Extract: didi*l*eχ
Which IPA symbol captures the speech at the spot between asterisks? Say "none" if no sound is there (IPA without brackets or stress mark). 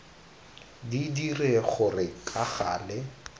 r